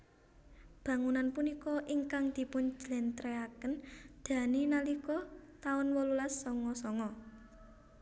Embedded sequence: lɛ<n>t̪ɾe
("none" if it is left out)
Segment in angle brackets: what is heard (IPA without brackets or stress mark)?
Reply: n